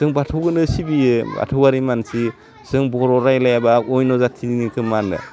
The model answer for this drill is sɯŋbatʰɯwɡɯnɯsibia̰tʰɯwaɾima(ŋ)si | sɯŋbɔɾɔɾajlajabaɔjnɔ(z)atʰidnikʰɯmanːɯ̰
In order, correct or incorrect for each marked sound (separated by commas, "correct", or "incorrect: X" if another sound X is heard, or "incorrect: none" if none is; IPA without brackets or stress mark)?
incorrect: n, correct